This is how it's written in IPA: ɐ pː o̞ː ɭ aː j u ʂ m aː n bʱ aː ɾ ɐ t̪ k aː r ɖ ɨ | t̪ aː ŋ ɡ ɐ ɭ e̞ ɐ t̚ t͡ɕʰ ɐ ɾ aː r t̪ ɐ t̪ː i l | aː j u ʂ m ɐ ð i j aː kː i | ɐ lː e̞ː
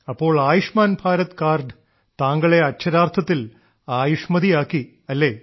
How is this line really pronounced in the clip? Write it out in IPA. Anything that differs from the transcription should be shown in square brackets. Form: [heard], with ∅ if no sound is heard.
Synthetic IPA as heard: ɐ pː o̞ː ɭ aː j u ʂ m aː n bʱ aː ɾ ɐ t̪ k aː r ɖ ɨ | t̪ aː ŋ ɡ ɐ ɭ e̞ ɐ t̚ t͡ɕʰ ɐ ɾ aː r [t̪ʰ] ɐ t̪ː i l | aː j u ʂ m ɐ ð i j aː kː i | ɐ lː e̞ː